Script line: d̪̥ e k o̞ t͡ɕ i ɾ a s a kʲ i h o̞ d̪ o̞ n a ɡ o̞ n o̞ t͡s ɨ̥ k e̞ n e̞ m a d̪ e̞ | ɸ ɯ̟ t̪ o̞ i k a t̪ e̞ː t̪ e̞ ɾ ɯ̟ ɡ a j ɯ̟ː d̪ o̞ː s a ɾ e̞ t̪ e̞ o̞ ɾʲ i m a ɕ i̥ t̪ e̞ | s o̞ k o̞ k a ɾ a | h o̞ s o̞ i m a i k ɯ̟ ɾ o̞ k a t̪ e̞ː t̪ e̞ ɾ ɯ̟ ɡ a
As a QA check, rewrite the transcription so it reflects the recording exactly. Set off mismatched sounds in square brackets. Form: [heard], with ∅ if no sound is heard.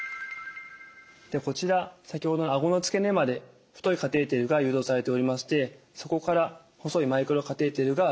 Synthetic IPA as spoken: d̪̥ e k o̞ t͡ɕ i ɾ a s a kʲ i h o̞ d̪ o̞ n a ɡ o̞ n o̞ t͡s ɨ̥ k e̞ n e̞ m a d̪ e̞ | ɸ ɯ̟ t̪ o̞ i k a t̪ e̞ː t̪ e̞ ɾ ɯ̟ ɡ a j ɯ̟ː d̪ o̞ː s a ɾ e̞ t̪ e̞ o̞ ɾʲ i m a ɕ i̥ t̪ e̞ | s o̞ k o̞ k a ɾ a | h o̞ s o̞ i m a i k ɯ̟ ɾ o̞ k a t̪ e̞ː t̪ e̞ ɾ ɯ̟ ɡ a